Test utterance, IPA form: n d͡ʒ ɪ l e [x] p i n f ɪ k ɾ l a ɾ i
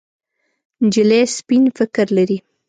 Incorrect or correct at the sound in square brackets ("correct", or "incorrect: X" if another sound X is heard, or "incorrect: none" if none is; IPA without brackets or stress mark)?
incorrect: s